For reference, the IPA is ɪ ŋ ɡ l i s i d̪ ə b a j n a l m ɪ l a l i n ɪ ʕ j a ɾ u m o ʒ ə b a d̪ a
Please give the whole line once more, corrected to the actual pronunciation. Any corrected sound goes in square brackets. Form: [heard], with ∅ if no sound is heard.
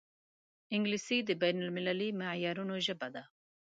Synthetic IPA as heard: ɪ ŋ ɡ l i s i d̪ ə b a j n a l m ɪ l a l i [m] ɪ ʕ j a ɾ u [n] o ʒ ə b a d̪ a